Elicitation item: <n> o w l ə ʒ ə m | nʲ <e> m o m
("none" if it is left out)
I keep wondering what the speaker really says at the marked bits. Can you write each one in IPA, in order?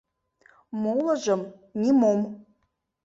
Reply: m, i

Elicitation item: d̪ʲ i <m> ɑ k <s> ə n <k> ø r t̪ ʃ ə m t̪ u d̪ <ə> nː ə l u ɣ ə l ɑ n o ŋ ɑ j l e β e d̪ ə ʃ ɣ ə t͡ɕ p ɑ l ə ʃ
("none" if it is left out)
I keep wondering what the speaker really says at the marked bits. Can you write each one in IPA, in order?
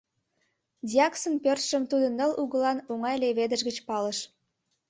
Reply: none, s, p, ə

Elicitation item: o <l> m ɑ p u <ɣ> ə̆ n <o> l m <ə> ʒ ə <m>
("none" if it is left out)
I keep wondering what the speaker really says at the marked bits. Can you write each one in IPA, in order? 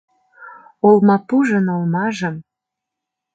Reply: l, ʒ, o, ɑ, m

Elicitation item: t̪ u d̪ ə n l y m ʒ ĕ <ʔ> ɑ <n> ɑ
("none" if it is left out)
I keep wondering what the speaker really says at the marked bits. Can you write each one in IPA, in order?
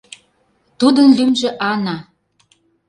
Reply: ʔ, n

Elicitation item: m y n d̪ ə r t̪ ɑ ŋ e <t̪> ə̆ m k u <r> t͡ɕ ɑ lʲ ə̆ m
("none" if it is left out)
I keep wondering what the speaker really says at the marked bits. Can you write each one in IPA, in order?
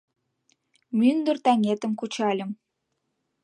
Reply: t̪, none

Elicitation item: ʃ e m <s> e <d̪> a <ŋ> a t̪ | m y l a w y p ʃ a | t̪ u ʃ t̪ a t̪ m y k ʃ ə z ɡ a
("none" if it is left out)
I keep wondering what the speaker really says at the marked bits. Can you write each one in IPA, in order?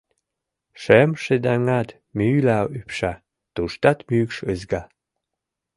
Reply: ʃ, d̪, ŋ

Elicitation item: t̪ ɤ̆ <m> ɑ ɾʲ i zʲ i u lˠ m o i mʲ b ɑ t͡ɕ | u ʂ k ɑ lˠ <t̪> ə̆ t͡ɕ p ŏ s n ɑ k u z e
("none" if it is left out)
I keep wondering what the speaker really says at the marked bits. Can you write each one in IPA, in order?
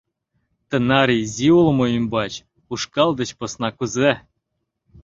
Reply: n, d̪

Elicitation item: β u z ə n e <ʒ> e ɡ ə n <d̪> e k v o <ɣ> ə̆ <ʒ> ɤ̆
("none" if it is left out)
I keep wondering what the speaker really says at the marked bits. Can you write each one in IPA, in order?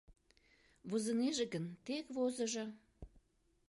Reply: ʒ, t̪, z, ʒ

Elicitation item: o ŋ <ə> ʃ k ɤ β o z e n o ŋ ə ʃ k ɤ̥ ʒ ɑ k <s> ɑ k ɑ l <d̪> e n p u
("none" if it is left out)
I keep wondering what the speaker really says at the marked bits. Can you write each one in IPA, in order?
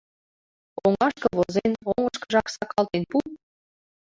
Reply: ɑ, s, t̪

